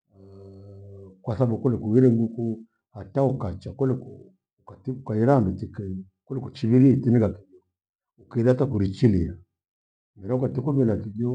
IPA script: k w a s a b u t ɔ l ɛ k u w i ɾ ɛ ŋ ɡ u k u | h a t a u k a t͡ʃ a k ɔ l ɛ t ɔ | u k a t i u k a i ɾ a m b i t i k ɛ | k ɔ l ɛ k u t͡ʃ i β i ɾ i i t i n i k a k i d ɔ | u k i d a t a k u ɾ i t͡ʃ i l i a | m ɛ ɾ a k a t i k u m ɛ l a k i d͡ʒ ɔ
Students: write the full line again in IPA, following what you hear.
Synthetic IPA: k w a s a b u k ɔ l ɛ k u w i ɾ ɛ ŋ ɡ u k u | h a t a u k a t͡ʃ a k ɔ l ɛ k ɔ | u k a t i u k a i ɾ a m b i t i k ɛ | k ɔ l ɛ k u t͡ʃ i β i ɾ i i t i n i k a k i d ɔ | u k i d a t a k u ɾ i t͡ʃ i l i a | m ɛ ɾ a k a t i k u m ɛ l a k i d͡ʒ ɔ